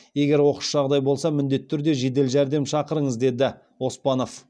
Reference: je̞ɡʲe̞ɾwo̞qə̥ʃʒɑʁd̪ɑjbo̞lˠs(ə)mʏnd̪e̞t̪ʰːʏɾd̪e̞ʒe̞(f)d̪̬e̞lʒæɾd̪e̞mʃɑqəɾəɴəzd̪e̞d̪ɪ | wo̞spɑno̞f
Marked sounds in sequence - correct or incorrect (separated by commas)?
incorrect, incorrect